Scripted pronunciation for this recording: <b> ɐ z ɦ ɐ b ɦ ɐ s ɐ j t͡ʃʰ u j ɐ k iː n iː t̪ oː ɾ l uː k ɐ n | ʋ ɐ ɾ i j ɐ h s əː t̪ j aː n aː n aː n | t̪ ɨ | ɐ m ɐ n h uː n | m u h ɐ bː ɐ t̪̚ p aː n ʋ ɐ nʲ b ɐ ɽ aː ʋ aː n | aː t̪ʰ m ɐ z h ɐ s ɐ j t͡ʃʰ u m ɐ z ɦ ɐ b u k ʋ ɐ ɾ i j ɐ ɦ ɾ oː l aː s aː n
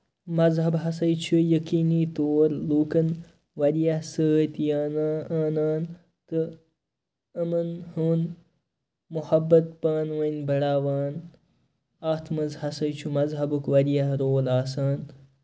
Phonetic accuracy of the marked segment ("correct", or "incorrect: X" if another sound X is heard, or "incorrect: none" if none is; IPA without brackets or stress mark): incorrect: m